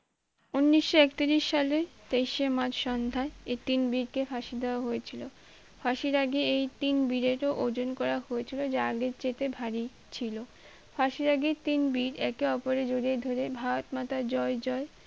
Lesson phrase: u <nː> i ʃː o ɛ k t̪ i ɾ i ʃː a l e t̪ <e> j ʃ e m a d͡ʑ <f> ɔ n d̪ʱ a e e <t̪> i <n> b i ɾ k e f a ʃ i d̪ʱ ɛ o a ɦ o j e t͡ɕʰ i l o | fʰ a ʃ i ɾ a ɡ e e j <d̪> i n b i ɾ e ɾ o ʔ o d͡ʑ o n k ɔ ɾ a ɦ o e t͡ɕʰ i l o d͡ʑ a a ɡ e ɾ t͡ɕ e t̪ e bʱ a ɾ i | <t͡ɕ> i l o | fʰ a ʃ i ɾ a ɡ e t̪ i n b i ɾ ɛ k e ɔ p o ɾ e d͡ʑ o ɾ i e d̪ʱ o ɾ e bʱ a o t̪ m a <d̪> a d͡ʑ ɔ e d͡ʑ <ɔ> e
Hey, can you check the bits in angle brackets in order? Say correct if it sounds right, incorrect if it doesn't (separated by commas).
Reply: correct, correct, incorrect, correct, correct, incorrect, incorrect, incorrect, correct